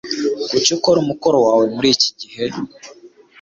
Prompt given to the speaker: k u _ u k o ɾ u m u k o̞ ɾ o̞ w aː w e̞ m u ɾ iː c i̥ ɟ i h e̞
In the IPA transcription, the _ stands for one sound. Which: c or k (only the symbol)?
c